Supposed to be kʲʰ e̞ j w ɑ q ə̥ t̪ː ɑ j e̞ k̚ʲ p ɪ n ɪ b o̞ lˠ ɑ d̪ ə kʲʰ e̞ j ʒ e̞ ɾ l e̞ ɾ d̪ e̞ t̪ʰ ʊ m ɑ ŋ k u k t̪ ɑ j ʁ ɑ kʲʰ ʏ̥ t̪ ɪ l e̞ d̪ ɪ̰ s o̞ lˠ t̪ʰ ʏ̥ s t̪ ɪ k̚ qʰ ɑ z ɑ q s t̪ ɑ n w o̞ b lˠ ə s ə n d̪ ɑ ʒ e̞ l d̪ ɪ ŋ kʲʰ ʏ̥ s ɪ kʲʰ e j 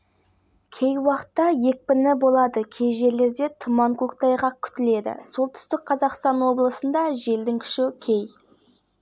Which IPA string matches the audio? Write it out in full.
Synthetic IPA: kʲʰ e̞ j w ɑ q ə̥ t̪ː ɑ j e̞ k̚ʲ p ɪ n ɪ b o̞ lˠ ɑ d̪ ə kʲʰ e̞ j ʒ e̞ ɾ l e̞ ɾ d̪ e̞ t̪ʰ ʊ m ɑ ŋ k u k t̪ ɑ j ʁ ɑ kʲʰ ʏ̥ t̪ ɪ l e̞ d̪ ɪ̰ s o̞ lˠ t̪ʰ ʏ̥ s t̪ ɪ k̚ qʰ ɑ z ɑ q s t̪ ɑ n w o̞ b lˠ ə s ə n d̪ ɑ ʒ e̞ l d̪ ɪ ŋ kʲʰ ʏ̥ ʃ ɪ kʲʰ e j